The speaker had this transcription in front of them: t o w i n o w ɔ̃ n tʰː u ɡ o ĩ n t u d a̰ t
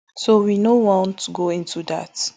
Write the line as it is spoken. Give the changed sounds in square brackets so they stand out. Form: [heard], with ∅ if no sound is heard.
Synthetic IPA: [s] o w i n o w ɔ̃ n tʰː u ɡ o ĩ n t u d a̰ t